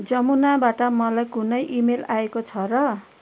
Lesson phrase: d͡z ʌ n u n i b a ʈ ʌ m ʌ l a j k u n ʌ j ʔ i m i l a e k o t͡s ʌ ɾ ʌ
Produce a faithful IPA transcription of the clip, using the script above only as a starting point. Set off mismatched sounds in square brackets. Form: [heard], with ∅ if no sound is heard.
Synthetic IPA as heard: d͡z ʌ [m] u n [a] b a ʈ ʌ m ʌ l a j k u n ʌ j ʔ i m [e] l a e k o [t͡sʰ] ʌ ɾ ʌ